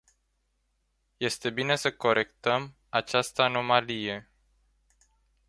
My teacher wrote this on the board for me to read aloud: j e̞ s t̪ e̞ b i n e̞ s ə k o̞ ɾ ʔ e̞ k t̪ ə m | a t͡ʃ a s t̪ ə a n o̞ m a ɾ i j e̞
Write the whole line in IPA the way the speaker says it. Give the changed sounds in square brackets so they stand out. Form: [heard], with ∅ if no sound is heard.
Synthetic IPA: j e̞ s t̪ e̞ b i n e̞ s ə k o̞ ɾ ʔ e̞ k t̪ ə m | a t͡ʃ a s t̪ ə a n o̞ m a [l] i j e̞